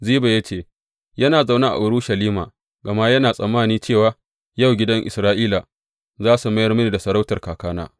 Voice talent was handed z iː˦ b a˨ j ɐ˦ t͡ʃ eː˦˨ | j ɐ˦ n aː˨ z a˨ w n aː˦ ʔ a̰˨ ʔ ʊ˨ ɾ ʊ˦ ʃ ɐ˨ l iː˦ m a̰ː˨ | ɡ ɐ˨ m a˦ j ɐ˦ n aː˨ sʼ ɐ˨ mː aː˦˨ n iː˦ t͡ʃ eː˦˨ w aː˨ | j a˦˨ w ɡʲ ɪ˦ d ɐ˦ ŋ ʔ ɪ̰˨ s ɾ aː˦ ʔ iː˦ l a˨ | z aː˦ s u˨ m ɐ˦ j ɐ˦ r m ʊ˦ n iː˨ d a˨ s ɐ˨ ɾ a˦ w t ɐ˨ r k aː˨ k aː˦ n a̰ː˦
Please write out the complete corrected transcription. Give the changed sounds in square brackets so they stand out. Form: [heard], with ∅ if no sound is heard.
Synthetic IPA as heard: z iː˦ b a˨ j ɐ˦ t͡ʃ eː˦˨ | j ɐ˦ n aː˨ z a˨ w n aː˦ ʔ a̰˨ ʔ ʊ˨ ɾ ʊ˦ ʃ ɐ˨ l iː˦ m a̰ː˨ | ɡ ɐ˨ m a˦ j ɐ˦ n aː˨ sʼ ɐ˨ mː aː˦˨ n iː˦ t͡ʃ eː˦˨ w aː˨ | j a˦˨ w ɡʲ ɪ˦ d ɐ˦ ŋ ʔ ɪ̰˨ s ɾ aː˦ ʔ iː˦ l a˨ | z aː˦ s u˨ m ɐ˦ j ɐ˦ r m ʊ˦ n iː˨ d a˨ s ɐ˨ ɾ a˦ w t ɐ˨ r k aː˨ k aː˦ n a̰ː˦